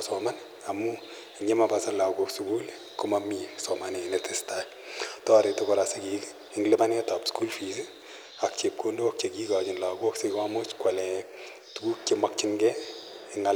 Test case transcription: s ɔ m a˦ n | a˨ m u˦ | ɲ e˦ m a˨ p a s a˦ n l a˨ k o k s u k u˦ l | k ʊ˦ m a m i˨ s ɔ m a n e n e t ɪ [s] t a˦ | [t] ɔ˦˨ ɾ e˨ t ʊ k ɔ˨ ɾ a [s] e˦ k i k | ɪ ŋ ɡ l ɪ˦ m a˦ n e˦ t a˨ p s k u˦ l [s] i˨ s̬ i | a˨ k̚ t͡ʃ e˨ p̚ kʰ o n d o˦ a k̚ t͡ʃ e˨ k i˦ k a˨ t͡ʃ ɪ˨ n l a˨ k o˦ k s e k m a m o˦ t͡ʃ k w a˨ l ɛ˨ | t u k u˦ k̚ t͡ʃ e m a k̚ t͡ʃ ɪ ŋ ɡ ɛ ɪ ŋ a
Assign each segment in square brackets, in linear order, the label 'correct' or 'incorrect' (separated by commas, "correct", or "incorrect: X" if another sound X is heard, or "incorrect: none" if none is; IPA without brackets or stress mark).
correct, correct, correct, incorrect: f